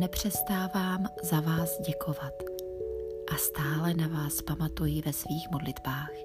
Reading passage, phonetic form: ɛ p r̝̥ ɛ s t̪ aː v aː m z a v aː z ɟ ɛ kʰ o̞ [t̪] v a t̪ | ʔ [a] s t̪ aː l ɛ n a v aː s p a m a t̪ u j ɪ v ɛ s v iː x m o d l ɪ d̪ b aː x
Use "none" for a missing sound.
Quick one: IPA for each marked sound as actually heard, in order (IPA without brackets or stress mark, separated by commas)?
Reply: none, a